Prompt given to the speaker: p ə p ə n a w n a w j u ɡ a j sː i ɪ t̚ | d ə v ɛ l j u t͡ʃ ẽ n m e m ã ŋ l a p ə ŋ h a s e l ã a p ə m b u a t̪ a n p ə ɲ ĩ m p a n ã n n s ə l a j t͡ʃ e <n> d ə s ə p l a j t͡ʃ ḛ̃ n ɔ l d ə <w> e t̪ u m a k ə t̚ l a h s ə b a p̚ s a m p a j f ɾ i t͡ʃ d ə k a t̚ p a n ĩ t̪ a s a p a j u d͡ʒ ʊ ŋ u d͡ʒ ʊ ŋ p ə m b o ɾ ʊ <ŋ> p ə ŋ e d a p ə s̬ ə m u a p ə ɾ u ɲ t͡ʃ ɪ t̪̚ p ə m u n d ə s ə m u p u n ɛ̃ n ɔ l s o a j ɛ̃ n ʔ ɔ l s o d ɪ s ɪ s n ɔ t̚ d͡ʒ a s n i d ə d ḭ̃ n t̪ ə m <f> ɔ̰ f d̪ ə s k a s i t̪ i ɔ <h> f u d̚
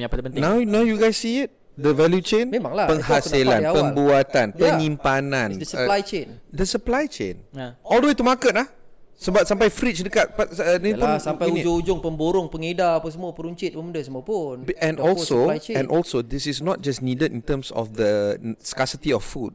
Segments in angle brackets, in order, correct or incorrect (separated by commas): correct, correct, correct, incorrect, incorrect